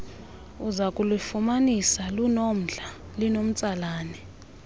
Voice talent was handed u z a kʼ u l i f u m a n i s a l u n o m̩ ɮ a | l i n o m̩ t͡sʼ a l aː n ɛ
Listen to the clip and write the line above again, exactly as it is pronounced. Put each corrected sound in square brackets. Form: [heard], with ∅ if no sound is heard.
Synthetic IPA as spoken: u z a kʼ u l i f u m a n i s a l u n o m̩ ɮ a | l i n o m̩ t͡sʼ a l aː n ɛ